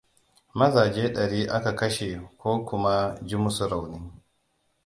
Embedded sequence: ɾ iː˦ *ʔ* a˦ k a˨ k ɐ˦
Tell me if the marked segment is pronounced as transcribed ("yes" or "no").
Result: yes